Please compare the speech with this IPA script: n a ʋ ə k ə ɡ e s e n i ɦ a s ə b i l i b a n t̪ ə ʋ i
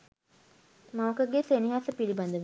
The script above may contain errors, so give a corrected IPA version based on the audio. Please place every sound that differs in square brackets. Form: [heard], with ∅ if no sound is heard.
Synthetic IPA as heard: [m] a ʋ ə k ə ɡ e s e n i ɦ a s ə [p] i l i b a n [d̪] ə ʋ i

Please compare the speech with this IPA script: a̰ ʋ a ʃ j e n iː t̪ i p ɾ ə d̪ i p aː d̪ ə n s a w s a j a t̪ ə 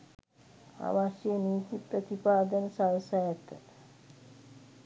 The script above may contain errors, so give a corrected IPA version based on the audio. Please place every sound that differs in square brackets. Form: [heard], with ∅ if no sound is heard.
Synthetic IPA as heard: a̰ ʋ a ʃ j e n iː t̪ i p ɾ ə [t̪] i p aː d̪ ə n s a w s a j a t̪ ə

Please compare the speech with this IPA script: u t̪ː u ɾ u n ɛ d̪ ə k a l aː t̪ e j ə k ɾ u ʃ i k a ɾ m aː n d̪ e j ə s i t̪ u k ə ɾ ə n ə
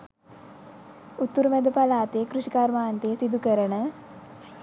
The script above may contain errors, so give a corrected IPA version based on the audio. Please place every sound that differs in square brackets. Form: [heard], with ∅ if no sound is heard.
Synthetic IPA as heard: u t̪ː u ɾ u [m] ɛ d̪ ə [p] a l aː t̪ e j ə k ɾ u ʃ i k a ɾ m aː n [t̪] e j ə s i [d̪] u k ə ɾ ə n ə

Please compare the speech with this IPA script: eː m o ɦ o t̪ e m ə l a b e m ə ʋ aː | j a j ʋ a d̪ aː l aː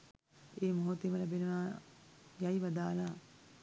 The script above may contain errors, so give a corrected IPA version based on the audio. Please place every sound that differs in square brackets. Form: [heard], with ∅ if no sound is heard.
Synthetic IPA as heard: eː m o ɦ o t̪ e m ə l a b e [n] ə ʋ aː | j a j ʋ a d̪ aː l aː

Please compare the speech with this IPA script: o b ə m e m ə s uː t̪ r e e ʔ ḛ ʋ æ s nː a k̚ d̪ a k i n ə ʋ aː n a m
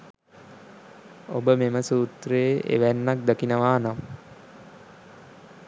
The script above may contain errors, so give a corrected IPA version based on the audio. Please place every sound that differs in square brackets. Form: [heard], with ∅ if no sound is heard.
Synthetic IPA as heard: o b ə m e m ə s uː t̪ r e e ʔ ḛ ʋ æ [∅] nː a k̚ d̪ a k i n ə ʋ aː n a m

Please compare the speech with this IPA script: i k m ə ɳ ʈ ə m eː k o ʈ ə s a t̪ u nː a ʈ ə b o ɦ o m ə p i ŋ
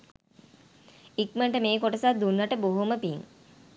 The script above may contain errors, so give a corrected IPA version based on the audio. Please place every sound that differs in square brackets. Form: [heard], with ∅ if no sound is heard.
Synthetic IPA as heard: i k m ə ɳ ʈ ə m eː k o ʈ ə s a [d̪] u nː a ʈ ə b o ɦ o m ə p i ŋ

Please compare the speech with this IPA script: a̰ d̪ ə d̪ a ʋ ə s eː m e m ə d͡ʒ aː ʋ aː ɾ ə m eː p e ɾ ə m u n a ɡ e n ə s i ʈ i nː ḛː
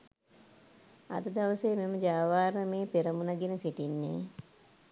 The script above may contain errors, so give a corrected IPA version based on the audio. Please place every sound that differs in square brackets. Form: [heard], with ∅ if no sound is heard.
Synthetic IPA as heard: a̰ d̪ ə d̪ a ʋ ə s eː m e m ə d͡ʒ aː ʋ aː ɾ ə m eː p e ɾ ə m u n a ɡ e n ə s i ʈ i nː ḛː

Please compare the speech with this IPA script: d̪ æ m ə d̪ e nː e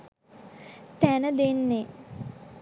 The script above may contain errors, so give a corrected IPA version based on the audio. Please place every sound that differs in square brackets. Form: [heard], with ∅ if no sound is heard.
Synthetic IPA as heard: [t̪] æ [n] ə d̪ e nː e

